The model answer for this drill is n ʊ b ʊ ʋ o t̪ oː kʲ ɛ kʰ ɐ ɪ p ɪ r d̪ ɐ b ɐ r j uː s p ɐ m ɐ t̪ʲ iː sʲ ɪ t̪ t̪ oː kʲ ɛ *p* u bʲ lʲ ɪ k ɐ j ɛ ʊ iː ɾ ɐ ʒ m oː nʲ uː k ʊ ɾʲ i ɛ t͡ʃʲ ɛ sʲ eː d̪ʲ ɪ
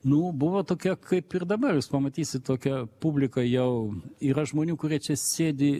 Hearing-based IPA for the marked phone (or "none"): p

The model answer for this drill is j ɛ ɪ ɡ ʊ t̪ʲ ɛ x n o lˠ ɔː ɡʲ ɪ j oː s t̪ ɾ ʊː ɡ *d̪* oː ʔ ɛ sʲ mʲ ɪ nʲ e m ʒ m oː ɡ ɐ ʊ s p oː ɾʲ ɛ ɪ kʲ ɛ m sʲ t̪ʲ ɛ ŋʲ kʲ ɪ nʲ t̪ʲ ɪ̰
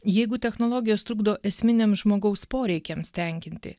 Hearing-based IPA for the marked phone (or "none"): d̪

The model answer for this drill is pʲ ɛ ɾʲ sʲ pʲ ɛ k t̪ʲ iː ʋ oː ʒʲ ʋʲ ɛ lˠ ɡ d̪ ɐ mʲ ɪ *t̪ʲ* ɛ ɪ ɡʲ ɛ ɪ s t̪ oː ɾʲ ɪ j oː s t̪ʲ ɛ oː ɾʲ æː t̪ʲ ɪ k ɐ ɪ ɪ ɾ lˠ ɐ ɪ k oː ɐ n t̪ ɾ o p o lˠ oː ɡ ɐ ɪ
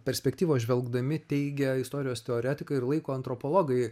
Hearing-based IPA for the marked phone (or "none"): t̪ʲ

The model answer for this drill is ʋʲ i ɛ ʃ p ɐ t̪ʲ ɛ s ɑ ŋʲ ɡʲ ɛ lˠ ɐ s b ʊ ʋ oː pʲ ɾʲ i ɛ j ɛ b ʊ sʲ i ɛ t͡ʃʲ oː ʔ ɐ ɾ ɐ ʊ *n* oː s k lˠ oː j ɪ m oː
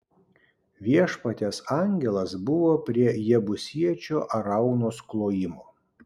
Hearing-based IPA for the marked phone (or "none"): n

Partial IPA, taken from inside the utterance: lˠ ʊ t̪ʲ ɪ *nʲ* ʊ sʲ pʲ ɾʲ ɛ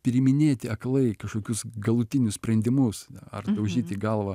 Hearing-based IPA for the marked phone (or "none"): nʲ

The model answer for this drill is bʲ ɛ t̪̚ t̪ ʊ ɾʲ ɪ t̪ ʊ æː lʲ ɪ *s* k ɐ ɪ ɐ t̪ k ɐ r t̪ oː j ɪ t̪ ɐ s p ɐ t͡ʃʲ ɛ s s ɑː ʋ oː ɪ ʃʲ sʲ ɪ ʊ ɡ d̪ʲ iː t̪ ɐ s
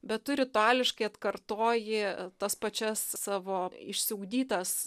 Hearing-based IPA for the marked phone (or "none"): ʃ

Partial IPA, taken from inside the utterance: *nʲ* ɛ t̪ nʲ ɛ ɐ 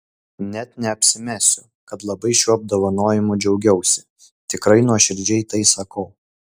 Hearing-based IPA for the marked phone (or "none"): nʲ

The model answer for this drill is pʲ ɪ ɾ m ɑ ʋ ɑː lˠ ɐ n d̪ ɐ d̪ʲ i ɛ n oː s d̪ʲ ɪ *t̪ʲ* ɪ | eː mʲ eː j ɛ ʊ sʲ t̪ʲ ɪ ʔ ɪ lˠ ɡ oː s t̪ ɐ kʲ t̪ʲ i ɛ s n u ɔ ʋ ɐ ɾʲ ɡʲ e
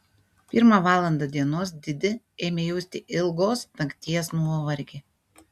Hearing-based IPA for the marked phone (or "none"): d̪ʲ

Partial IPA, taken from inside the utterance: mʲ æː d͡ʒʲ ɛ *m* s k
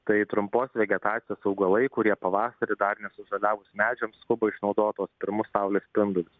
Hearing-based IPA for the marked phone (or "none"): m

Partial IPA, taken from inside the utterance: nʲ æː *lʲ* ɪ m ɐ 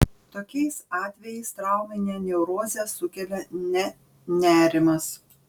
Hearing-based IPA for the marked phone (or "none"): ɾʲ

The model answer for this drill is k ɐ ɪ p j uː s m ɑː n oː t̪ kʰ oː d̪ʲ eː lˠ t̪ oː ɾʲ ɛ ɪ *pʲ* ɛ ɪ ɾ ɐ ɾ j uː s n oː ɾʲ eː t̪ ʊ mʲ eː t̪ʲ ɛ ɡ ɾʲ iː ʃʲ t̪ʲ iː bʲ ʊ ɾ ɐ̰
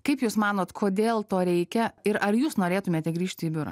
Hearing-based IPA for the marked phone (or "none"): kʲ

